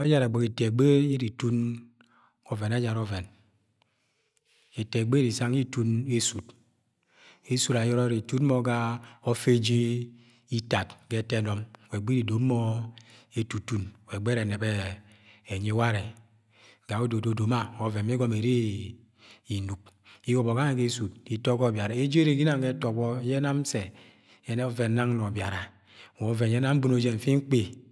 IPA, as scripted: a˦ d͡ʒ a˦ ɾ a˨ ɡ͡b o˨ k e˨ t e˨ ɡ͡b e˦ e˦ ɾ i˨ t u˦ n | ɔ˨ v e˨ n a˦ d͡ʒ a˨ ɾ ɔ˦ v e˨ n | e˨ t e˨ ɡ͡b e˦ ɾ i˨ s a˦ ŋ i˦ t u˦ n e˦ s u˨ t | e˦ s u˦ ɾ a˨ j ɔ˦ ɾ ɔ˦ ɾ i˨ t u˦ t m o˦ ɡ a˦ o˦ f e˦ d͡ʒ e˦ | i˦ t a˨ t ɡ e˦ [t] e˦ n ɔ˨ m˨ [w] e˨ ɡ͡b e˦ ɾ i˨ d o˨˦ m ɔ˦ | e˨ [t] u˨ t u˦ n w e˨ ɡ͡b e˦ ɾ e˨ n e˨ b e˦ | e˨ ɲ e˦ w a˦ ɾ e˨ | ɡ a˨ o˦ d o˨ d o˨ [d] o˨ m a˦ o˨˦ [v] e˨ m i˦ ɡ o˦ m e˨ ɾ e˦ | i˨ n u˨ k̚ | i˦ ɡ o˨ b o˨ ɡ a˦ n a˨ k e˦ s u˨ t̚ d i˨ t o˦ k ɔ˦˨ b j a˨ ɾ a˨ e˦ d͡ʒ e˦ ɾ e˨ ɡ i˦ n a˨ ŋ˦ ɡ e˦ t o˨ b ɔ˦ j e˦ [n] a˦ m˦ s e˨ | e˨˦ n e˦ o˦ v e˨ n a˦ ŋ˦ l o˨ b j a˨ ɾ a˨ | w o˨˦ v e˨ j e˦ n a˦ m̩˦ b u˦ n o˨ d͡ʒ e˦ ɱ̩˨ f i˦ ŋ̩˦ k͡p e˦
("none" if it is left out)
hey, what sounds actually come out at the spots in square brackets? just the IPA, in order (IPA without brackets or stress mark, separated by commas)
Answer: t, w, t, d, v, n